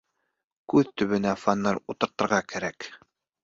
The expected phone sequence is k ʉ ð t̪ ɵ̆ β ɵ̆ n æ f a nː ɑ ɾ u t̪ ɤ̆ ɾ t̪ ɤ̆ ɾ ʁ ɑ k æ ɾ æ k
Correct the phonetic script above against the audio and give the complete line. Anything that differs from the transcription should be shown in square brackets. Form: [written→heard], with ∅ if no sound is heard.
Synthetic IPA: k ʉ ð t̪ ɵ̆ β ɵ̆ n æ f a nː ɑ ɾ u t̪ ɤ̆ ɾ t̪ ɤ̆ ɾ ʁ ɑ k æ ɾ æ k